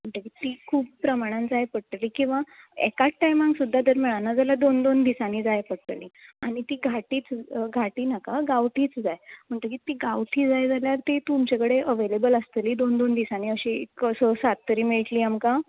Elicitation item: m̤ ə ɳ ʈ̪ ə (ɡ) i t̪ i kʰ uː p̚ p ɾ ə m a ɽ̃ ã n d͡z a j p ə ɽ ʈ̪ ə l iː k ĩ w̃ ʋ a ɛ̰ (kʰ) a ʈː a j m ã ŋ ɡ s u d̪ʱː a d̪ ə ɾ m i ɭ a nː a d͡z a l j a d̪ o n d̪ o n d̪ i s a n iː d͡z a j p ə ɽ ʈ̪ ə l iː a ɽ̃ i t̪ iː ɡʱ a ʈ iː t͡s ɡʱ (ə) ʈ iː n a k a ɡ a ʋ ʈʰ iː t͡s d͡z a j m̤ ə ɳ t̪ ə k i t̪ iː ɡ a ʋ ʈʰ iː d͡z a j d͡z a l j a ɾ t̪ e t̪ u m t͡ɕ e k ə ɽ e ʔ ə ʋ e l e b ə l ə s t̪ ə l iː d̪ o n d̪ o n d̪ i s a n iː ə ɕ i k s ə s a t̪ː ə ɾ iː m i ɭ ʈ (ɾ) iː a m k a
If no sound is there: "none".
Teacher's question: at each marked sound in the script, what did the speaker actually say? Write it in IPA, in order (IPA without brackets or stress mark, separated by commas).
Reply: k, k, a, l